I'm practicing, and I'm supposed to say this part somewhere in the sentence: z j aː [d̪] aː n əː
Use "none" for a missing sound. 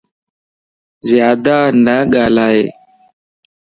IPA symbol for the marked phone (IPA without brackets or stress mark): d̪